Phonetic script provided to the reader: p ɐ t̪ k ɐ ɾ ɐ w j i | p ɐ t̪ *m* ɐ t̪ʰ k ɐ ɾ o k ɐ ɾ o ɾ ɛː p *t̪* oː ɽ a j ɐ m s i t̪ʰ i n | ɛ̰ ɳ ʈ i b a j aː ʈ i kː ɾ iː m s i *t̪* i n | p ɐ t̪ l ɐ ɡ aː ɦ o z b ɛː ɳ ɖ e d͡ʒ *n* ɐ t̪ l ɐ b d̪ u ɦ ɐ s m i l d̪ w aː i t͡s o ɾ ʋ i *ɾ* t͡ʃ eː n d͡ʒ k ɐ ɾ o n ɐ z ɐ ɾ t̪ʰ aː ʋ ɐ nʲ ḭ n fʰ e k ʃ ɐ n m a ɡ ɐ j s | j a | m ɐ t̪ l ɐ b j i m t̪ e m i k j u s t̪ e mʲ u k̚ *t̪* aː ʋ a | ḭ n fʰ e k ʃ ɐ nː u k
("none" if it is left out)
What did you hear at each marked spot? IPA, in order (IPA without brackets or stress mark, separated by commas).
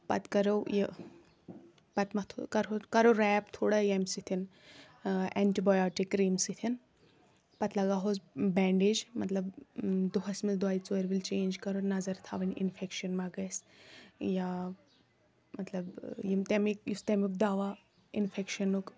m, t̪ʰ, t̪ʰ, m, l, d̪